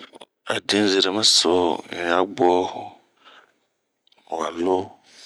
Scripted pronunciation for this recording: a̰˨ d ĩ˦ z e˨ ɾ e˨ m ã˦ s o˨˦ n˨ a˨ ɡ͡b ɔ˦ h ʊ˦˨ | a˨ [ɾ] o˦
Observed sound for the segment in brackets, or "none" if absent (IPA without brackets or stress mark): l